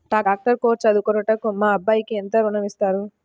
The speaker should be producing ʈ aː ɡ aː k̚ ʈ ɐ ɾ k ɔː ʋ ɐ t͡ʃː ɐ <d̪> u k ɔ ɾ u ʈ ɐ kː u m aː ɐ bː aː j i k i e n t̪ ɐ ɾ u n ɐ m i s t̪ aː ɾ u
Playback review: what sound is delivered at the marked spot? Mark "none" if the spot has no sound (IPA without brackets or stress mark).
d̪